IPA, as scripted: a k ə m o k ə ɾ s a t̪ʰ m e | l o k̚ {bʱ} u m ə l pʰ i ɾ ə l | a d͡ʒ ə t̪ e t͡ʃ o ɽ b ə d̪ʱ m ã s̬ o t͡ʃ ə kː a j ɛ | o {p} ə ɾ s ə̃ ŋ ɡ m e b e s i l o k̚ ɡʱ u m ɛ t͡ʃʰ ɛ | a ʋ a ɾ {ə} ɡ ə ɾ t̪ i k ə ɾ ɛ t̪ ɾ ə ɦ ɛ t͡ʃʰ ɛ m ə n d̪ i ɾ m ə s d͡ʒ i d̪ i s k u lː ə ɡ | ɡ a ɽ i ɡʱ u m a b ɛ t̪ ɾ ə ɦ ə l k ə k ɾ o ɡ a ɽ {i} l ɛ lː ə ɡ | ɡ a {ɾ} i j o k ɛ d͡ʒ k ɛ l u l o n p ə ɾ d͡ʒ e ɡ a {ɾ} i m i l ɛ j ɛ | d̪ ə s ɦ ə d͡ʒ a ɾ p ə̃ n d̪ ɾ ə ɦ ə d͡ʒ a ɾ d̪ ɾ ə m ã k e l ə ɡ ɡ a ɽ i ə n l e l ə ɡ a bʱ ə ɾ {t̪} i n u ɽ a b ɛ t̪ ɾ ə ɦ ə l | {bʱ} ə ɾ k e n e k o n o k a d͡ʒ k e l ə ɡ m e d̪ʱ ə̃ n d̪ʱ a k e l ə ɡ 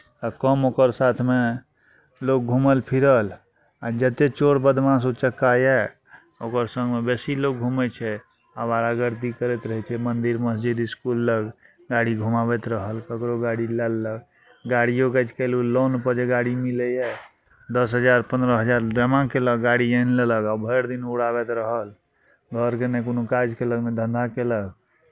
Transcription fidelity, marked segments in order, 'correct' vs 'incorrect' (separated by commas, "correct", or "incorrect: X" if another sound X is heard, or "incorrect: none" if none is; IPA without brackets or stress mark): incorrect: ɡʱ, incorrect: k, incorrect: a, correct, incorrect: ɽ, incorrect: ɽ, incorrect: d̪, incorrect: ɡʱ